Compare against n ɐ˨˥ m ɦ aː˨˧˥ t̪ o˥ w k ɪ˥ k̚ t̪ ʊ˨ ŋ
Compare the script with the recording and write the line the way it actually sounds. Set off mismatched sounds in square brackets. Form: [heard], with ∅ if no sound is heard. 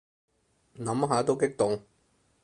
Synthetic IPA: n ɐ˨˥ m ɦ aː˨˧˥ t̪ o˥ w k ɪ˥ k̚ t̪ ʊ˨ ŋ